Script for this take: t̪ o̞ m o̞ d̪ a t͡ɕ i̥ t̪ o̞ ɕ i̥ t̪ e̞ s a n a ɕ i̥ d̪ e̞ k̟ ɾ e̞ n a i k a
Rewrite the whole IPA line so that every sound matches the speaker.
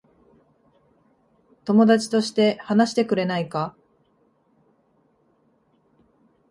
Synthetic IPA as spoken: t̪ o̞ m o̞ d̪ a t͡ɕ i̥ t̪ o̞ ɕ i̥ t̪ e̞ h a n a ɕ i̥ t̪ e̞ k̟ ɾ e̞ n a i k a